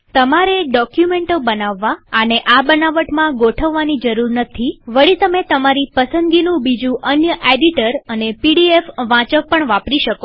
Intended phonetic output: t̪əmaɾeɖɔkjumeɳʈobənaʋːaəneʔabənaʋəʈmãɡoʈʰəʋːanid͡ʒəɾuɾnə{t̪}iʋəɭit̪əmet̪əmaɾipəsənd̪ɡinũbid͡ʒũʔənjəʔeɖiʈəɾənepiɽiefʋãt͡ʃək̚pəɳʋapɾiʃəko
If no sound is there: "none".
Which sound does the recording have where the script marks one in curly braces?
t̪ʰ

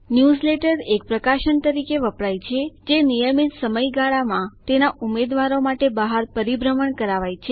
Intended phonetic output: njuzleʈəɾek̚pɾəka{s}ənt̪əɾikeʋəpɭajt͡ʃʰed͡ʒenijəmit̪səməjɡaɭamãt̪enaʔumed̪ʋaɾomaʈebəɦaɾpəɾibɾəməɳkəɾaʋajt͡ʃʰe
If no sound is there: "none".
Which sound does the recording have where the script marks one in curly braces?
ʃ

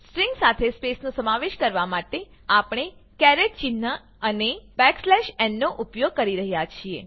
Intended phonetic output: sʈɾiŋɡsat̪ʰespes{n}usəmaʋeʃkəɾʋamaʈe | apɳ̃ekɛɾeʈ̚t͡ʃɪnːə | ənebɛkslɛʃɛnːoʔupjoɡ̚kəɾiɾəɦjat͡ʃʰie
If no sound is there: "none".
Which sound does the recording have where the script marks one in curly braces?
n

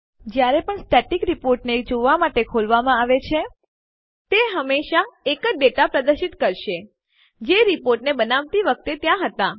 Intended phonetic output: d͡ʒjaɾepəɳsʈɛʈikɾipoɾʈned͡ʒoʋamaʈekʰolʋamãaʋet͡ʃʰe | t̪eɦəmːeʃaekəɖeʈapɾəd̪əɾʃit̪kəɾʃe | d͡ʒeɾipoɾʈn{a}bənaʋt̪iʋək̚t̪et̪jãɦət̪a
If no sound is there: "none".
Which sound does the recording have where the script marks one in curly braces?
e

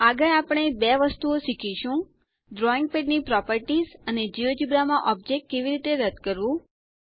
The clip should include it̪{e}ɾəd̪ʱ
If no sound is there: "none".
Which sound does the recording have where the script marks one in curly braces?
e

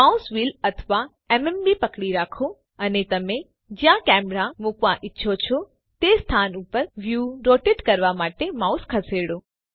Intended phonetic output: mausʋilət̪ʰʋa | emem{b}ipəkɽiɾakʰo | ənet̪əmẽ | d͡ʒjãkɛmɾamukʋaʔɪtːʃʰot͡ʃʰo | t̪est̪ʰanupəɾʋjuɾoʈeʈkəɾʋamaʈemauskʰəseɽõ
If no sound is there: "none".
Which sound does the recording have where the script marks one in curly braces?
b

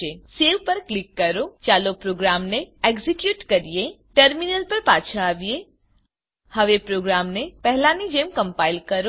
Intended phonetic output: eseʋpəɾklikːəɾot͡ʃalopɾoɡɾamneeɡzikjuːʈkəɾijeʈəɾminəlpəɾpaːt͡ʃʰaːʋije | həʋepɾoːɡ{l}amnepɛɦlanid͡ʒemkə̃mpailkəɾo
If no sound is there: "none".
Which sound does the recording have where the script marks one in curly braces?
ɾ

